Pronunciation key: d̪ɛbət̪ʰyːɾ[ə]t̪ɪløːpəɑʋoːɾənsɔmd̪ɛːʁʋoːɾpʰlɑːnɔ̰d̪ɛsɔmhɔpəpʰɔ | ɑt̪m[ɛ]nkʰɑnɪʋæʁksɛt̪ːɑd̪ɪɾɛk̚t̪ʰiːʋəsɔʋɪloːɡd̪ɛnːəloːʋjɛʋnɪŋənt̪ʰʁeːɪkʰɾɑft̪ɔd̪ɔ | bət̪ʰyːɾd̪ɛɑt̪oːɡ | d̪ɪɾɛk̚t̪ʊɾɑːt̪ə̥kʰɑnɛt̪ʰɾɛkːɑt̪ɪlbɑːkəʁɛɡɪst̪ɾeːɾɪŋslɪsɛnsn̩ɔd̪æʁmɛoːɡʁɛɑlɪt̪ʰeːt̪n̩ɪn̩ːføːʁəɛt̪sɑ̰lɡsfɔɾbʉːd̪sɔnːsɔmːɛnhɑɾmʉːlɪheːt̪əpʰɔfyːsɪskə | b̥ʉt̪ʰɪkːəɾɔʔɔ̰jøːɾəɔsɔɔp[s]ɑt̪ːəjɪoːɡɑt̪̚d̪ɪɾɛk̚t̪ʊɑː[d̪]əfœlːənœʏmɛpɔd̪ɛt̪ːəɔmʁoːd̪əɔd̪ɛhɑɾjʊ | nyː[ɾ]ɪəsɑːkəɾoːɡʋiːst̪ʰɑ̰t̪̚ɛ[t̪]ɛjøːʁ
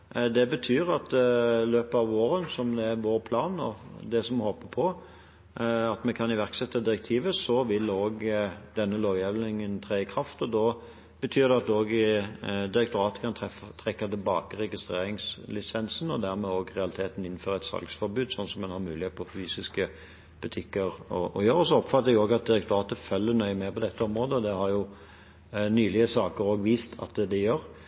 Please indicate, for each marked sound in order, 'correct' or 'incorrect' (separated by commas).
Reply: incorrect, correct, incorrect, incorrect, incorrect, incorrect